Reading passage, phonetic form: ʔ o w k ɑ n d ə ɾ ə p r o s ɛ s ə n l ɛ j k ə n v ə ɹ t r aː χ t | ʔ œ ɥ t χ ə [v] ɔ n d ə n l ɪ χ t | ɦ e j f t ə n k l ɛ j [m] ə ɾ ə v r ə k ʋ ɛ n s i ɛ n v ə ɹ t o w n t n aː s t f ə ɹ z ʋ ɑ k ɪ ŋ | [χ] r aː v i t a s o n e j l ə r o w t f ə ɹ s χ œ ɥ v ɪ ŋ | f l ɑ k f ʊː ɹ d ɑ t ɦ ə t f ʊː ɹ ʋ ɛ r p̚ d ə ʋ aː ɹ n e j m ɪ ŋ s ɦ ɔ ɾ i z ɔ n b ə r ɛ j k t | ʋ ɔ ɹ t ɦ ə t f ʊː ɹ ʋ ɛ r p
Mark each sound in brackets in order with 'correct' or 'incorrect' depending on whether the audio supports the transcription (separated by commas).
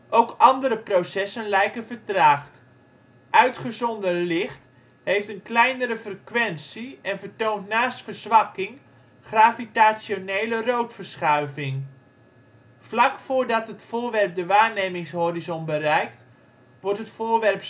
incorrect, incorrect, correct